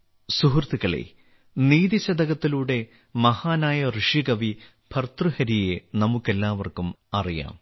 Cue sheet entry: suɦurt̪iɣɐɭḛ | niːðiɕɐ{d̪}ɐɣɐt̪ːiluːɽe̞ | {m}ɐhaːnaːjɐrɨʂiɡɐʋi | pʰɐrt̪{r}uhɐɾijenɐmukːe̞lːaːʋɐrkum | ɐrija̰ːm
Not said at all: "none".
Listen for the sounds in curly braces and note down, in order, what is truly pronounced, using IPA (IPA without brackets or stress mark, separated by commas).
d̪, m, r